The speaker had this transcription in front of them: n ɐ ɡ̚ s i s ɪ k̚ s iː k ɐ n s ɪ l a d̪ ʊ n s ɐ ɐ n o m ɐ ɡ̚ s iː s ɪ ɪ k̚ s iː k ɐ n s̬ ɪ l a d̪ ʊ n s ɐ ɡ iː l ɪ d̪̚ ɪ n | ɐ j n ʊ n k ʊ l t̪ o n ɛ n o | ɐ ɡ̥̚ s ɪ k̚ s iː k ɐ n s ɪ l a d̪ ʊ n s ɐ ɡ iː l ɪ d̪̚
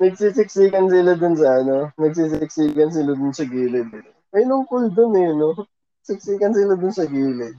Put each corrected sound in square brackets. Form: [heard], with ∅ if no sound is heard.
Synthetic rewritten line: n ɐ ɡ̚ s i s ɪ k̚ s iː k ɐ n s ɪ l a d̪ ʊ n s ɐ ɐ n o [n] ɐ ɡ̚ s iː s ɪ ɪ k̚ s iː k ɐ n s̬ ɪ l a d̪ ʊ n s ɐ ɡ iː l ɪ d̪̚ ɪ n | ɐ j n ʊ [ŋ] k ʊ l [d̪] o n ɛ n o | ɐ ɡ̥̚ s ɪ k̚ s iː k ɐ n s ɪ l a d̪ ʊ n s ɐ ɡ iː l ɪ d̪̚